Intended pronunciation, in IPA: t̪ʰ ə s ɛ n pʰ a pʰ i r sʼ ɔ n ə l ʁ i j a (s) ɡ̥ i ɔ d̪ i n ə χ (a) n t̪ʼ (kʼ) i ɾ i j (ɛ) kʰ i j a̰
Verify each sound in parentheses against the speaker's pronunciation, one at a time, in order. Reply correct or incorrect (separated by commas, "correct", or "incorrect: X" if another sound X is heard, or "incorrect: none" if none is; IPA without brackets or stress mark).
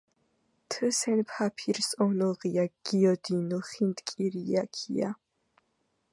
incorrect: none, incorrect: i, correct, incorrect: a